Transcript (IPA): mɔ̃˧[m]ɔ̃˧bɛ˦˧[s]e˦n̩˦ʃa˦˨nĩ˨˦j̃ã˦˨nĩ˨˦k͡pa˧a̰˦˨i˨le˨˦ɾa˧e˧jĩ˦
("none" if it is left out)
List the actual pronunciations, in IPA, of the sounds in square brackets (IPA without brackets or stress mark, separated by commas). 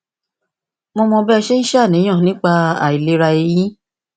m, ʃ